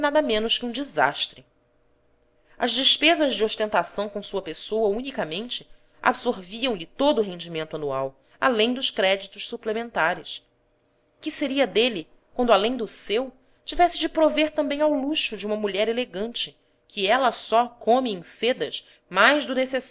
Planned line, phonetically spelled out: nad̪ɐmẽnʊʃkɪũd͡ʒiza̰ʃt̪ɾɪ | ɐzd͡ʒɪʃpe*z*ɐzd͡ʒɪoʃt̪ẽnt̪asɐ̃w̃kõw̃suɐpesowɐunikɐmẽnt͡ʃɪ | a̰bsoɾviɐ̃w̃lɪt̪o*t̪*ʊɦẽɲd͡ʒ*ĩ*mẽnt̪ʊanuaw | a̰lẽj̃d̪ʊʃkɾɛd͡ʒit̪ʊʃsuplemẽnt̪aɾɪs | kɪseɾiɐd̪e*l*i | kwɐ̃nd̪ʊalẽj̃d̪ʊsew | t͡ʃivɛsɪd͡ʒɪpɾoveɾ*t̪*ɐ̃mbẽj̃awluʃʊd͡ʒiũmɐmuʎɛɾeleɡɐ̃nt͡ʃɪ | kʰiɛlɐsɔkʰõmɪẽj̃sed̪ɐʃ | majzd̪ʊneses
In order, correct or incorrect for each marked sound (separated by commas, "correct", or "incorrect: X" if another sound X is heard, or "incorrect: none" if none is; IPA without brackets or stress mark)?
correct, incorrect: d̪, incorrect: i, correct, correct